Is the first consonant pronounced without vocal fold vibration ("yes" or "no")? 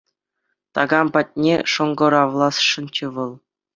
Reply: yes